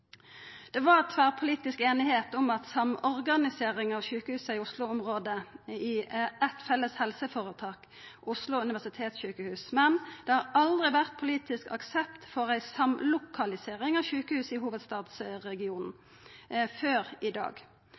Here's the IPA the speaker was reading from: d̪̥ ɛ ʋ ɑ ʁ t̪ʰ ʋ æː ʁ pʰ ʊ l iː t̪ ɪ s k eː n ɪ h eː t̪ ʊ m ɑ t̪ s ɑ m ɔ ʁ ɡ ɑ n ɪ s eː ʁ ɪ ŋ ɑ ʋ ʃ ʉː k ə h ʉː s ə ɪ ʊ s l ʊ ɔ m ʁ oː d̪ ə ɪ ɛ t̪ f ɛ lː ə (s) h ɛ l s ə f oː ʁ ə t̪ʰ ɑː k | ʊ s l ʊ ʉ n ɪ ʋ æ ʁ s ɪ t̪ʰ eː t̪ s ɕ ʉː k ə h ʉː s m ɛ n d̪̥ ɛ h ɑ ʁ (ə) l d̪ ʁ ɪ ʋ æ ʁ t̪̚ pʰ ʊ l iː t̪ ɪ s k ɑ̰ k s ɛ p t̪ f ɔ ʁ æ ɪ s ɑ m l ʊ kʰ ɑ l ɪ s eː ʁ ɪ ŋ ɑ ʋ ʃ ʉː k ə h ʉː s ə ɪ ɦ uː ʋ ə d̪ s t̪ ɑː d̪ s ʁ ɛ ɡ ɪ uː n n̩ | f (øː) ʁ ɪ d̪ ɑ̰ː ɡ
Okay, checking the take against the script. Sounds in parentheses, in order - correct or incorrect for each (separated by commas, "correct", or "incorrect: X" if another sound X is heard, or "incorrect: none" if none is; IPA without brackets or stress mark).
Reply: correct, incorrect: ɑ, correct